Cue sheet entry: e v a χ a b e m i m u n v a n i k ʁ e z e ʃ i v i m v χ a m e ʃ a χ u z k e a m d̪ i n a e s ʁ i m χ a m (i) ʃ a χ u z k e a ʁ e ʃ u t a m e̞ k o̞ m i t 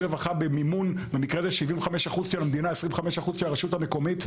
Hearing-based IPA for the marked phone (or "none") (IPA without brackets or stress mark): e